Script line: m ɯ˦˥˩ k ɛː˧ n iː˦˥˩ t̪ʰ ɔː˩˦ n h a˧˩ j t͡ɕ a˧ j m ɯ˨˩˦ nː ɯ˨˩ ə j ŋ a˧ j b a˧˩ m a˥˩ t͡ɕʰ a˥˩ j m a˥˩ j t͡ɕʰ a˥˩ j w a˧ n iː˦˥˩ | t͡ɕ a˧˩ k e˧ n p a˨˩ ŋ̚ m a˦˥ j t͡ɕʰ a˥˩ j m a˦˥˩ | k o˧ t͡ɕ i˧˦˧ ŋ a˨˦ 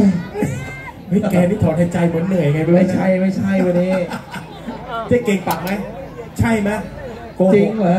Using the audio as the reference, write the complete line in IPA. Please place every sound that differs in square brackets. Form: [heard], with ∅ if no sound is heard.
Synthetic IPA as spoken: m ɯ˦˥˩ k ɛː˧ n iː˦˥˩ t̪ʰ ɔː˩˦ n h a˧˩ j t͡ɕ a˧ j m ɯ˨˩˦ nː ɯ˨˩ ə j ŋ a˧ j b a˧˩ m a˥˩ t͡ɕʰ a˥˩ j m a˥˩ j t͡ɕʰ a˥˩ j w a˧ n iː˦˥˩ | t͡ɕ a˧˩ k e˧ [ŋ] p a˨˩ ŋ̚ m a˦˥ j t͡ɕʰ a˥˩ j m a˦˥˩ | k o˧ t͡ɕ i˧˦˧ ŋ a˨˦

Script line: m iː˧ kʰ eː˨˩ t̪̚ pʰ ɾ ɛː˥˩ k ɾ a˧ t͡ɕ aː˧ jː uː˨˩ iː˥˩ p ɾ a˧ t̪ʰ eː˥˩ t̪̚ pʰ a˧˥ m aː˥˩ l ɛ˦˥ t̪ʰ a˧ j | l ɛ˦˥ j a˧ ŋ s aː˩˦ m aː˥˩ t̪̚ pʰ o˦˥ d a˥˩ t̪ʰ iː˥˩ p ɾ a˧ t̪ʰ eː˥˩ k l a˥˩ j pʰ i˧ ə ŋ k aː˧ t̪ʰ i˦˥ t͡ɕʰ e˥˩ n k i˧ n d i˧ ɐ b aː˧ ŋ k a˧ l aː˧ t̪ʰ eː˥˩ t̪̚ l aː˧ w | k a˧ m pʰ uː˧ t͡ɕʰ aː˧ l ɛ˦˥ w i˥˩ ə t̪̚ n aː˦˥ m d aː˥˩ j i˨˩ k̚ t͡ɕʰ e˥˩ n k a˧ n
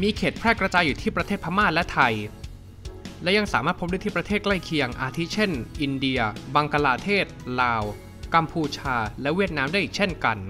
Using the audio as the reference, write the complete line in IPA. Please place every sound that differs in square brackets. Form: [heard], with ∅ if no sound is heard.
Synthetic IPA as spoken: m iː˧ kʰ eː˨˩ t̪̚ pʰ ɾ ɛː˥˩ k ɾ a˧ t͡ɕ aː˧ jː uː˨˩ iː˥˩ p ɾ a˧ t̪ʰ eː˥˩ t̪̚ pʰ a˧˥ m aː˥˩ l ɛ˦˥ t̪ʰ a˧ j | l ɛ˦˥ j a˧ ŋ s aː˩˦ m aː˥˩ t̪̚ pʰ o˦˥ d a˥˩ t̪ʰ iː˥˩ p ɾ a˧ t̪ʰ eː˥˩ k l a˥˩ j [kʰ] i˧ ə ŋ [ʔ] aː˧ t̪ʰ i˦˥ t͡ɕʰ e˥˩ n [ʔ] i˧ n d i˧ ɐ b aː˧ ŋ k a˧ l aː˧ t̪ʰ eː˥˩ t̪̚ l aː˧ w | k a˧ m pʰ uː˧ t͡ɕʰ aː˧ l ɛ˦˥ w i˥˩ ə t̪̚ n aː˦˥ m d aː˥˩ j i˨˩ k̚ t͡ɕʰ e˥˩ n k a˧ n

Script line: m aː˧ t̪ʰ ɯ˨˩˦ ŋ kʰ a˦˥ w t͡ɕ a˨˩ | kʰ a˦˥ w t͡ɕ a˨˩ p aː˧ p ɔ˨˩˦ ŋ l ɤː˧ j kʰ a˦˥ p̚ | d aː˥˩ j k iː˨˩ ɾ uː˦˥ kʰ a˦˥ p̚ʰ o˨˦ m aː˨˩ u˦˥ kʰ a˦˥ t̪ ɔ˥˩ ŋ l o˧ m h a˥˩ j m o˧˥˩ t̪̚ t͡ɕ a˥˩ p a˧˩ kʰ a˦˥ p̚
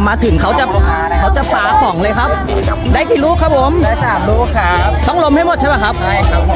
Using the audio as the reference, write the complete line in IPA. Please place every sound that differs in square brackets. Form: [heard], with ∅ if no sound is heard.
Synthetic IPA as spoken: m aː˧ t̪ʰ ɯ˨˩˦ ŋ kʰ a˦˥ w t͡ɕ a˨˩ | kʰ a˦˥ w t͡ɕ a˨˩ p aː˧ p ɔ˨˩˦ ŋ l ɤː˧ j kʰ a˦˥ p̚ | d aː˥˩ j k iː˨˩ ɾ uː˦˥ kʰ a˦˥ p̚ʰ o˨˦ m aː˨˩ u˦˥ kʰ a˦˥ t̪ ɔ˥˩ ŋ l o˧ m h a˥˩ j m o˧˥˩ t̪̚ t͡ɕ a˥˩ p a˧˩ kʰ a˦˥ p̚

